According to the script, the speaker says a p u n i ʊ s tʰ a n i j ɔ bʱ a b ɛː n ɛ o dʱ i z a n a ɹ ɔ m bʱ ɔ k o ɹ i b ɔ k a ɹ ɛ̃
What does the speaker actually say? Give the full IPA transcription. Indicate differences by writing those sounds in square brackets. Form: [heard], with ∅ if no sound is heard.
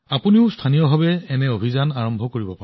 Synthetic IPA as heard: a p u n i ʊ s tʰ a n i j ɔ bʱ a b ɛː n ɛ o [bʱ] i z a n a ɹ ɔ m bʱ ɔ k o ɹ i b ɔ [p] a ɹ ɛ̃